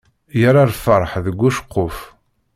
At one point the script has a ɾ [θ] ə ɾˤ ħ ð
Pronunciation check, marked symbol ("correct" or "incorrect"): incorrect